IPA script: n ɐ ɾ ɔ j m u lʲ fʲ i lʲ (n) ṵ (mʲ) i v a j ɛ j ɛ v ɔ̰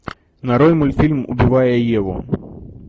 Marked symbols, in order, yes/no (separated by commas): no, no